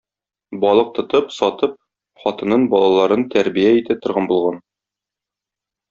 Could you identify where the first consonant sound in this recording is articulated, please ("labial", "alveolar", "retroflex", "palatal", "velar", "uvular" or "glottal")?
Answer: labial